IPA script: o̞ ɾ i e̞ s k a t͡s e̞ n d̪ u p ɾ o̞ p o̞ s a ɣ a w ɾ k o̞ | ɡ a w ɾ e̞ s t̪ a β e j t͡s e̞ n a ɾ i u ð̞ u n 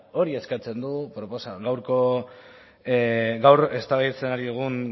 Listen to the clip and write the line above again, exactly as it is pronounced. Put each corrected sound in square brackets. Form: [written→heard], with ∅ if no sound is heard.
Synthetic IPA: o̞ ɾ i e̞ s k a t͡s e̞ n d̪ u p ɾ o̞ p o̞ s a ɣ a w ɾ k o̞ | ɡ a w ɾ e̞ s t̪ a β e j t͡s e̞ n a ɾ i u [ð̞→ɣ̞] u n